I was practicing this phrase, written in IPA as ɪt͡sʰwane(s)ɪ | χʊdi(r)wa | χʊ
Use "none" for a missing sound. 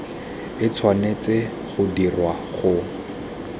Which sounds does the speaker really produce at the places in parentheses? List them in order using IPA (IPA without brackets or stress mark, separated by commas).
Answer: t͡s, r